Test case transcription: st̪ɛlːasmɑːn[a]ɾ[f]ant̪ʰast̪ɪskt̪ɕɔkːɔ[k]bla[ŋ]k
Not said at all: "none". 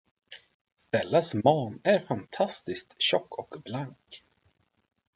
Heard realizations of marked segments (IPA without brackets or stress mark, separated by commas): æ, f, k, ŋ